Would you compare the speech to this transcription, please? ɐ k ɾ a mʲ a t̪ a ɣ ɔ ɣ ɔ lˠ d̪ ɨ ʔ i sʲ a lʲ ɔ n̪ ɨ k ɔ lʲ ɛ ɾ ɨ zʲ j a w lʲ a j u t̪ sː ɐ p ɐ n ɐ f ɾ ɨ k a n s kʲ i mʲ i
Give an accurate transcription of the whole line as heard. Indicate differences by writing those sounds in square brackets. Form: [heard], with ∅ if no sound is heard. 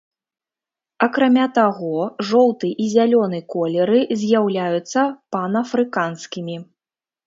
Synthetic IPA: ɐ k ɾ a mʲ a t̪ a ɣ ɔ [ʐ] ɔ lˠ [t̪] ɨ ʔ i [zʲ] a lʲ ɔ n̪ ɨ k ɔ lʲ ɛ ɾ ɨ zʲ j a w lʲ a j u t̪ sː ɐ p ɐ n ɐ f ɾ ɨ k a n s kʲ i mʲ i